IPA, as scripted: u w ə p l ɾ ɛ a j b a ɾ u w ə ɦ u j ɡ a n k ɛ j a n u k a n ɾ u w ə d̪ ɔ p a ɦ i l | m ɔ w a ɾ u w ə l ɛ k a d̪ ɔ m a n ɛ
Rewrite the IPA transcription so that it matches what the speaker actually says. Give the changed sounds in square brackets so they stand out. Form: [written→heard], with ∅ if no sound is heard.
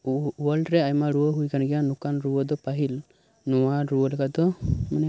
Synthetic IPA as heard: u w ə [p→∅] l ɾ ɛ a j [b→m] a ɾ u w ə ɦ u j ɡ a n [k→ɡ] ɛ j a n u k a n ɾ u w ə d̪ ɔ p a ɦ i l | [m→n] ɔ w a ɾ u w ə l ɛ k a d̪ ɔ m a n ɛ

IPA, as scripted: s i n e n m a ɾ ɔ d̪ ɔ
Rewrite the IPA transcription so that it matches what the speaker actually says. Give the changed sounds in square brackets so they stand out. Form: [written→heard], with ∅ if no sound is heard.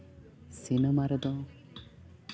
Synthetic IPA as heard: s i n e [n→∅] m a ɾ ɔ d̪ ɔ

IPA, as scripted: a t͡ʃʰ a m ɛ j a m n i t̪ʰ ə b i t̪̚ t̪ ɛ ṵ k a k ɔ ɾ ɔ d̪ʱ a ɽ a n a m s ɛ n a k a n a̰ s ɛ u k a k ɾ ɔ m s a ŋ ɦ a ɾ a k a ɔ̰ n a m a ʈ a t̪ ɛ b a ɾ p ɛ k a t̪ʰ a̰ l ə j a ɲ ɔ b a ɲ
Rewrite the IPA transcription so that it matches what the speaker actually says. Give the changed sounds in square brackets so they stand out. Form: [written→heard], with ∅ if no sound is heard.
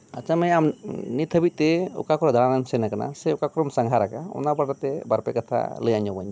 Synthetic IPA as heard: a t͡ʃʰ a m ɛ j a m n i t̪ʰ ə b i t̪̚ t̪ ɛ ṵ k a k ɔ ɾ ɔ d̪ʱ a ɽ a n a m s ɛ n a k a n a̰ s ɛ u k a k ɾ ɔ m s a ŋ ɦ a ɾ a k a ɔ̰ n a [m→b] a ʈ a t̪ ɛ b a ɾ p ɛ k a t̪ʰ a̰ l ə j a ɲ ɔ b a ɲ

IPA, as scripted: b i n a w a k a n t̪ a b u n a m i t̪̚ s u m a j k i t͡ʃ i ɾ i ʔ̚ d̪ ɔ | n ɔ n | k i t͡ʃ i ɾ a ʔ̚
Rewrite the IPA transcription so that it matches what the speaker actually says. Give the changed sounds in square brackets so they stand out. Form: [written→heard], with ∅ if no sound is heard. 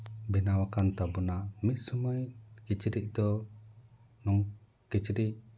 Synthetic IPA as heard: b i n a w a k a n t̪ a b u n a m i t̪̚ s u m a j k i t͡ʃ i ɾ i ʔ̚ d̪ ɔ | n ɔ [n→ŋ] | k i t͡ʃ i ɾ [a→i] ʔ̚

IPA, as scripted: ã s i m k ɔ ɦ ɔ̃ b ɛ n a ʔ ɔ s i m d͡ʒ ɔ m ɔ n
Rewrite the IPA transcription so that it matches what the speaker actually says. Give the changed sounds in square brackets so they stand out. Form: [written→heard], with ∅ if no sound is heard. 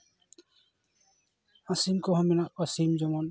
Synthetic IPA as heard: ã s i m k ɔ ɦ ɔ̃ [b→m] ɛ n a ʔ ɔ s i m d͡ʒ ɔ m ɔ n

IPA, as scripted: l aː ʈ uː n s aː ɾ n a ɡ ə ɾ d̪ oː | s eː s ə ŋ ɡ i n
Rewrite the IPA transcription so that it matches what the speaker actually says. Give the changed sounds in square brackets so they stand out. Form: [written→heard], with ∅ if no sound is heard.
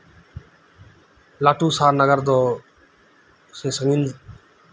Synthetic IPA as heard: l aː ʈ uː [n→∅] s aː ɾ n [a→ə] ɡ ə ɾ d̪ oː | s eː s ə ŋ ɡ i n

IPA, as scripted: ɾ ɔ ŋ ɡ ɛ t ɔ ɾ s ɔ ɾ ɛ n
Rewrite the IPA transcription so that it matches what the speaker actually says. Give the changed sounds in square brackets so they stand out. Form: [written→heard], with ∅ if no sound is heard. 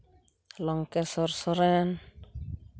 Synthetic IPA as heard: [ɾ→l] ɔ ŋ [ɡ→k] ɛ [t→s] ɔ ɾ s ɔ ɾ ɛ n

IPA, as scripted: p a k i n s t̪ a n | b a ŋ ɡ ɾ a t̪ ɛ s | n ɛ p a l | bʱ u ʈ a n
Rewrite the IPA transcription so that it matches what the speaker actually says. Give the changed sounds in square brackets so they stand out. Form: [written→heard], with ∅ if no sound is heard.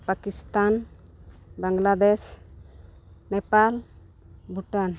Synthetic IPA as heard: p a k i [n→∅] s t̪ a n | b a ŋ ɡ [ɾ→l] a [t̪→d̪] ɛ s | n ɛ p a l | bʱ u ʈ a n

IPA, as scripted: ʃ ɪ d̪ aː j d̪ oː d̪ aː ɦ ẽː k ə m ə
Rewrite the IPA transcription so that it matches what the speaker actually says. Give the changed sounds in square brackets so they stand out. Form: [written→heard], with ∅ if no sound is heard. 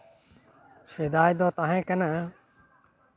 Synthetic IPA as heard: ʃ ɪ d̪ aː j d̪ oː [d̪→t̪] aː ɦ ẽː k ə [m→n] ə

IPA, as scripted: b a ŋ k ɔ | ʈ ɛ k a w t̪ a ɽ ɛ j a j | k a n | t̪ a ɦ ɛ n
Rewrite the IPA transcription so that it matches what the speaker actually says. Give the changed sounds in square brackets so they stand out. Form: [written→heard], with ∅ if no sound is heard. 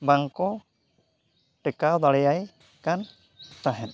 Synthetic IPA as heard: b a ŋ k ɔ | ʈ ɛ k a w [t̪→d̪] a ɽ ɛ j a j | k a n | t̪ a ɦ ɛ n

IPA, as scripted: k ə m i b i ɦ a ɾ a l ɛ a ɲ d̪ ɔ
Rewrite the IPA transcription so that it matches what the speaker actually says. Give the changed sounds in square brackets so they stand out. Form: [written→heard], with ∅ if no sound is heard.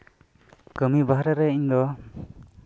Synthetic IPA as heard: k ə m i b [i→a] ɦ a ɾ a [l→ɾ] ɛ [a→i] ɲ d̪ ɔ

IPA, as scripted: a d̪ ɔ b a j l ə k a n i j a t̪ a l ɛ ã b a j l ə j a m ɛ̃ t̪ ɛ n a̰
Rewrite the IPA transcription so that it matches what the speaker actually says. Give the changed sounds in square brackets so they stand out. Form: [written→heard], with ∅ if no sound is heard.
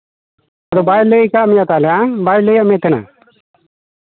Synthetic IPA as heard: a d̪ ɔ b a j l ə k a [n→m] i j a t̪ a l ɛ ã b a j l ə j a m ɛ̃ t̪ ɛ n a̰

